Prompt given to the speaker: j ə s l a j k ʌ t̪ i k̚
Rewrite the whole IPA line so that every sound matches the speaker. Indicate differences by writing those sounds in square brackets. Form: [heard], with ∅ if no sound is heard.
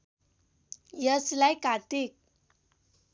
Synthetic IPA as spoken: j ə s l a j k [a] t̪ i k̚